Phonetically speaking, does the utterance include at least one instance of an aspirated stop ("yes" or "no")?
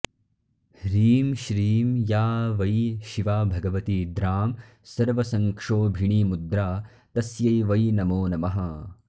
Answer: no